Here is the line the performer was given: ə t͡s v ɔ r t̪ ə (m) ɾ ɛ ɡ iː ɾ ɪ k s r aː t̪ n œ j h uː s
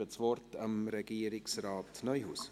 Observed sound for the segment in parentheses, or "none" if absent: m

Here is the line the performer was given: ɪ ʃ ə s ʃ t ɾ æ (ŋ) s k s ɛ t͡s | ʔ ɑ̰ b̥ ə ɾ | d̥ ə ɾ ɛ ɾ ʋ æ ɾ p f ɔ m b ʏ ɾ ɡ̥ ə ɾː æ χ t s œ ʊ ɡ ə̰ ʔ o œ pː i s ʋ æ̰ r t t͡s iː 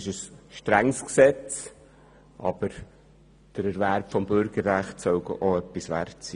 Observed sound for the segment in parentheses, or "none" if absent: ŋ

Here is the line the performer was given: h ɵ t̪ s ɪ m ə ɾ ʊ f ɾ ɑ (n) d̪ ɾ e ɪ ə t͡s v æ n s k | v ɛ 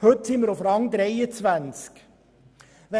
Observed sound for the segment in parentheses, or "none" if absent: ŋ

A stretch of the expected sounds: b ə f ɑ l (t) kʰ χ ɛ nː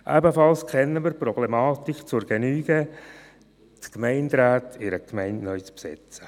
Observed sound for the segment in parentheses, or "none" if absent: s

